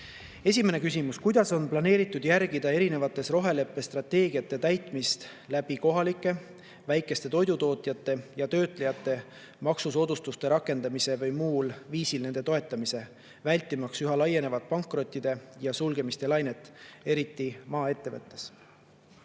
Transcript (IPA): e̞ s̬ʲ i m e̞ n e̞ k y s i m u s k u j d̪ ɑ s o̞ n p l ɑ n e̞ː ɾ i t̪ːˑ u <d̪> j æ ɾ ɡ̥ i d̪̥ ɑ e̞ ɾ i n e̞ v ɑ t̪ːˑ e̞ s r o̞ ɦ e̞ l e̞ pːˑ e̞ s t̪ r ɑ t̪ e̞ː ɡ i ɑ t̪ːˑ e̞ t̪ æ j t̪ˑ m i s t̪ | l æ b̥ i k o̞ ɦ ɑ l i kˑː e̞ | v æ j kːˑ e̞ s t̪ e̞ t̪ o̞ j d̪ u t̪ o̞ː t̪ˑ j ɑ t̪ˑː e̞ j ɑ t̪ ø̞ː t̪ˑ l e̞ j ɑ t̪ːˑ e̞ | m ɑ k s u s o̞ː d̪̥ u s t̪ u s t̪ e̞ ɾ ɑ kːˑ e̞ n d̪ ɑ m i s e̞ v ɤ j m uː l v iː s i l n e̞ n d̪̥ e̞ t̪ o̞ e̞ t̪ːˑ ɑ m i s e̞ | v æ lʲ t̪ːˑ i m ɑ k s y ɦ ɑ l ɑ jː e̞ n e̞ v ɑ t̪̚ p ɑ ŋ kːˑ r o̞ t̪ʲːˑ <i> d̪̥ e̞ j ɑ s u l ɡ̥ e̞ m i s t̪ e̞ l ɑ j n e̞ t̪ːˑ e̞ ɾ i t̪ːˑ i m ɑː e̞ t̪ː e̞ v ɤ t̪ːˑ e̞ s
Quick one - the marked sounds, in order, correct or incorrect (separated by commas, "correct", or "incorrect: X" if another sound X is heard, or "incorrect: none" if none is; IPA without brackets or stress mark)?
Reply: correct, correct